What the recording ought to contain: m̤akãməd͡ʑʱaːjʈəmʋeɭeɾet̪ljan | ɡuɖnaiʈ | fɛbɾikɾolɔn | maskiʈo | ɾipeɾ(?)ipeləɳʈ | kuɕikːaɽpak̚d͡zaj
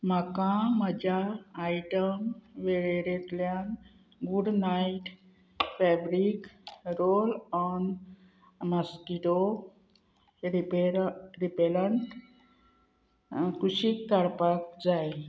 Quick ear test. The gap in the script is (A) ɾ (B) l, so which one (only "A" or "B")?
A